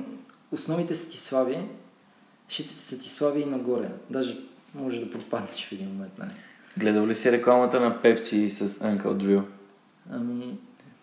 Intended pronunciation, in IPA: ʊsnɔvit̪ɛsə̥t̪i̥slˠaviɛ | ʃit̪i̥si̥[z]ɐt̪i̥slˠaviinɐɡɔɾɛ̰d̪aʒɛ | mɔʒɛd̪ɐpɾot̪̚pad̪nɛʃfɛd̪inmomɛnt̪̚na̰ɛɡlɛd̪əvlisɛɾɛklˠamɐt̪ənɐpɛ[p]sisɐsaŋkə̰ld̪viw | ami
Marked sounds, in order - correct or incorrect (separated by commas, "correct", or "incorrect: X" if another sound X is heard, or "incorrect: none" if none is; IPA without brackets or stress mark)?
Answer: incorrect: s, correct